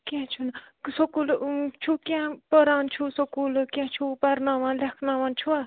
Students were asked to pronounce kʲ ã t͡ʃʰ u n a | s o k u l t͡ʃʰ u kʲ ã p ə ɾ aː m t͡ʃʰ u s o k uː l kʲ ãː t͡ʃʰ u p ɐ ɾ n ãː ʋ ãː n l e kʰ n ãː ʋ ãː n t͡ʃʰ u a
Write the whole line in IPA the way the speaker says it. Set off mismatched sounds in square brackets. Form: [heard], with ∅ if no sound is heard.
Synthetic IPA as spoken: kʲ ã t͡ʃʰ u n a | s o k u l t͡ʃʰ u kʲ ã p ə ɾ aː [n] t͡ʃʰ u s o k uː l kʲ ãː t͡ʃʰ u p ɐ ɾ n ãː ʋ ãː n l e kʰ n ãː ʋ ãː n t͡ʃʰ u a